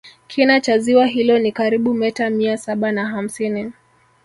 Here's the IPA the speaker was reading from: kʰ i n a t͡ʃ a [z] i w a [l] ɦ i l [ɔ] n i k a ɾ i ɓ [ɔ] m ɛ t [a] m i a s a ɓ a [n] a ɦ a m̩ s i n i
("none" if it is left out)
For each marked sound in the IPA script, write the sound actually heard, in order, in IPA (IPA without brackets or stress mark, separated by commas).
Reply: z, none, ɔ, u, a, n